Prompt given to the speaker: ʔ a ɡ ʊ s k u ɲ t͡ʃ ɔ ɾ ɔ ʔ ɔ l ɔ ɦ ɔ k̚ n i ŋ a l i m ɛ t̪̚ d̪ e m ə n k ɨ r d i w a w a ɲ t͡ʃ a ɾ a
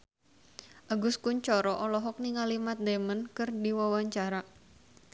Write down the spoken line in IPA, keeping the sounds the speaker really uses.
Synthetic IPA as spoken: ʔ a ɡ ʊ s k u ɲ t͡ʃ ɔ ɾ ɔ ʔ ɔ l ɔ ɦ ɔ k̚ n i ŋ a l i m a t̪̚ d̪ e m ə n k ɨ r d i w a w a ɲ t͡ʃ a ɾ a